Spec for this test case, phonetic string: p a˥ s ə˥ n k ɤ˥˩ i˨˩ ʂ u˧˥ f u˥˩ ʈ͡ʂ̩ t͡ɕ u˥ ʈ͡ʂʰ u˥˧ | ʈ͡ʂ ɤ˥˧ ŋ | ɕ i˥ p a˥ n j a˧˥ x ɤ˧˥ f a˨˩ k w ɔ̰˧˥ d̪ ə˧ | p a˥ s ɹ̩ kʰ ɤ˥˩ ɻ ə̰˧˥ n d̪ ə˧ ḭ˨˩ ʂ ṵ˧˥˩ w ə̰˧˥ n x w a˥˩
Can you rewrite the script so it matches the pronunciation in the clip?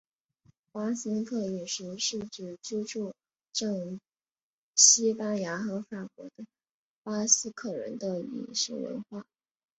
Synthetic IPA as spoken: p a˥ s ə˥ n kʰ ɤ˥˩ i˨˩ ʂ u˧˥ ʂ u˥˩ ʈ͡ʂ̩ t͡ɕ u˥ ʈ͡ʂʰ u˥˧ | ʈ͡ʂ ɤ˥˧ ŋ | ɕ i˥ p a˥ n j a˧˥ x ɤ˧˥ f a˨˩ k w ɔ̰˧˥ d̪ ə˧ | p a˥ s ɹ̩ kʰ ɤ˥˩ ɻ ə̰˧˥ n d̪ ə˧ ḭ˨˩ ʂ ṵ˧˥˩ w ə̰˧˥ n x w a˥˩